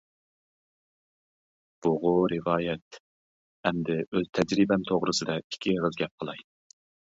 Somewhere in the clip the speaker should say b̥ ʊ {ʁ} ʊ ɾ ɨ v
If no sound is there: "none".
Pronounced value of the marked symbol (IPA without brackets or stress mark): ʁ